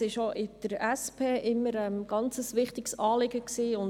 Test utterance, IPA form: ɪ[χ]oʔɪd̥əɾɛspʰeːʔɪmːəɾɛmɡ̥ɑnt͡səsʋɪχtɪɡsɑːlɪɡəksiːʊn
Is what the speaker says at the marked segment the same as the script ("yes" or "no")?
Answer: no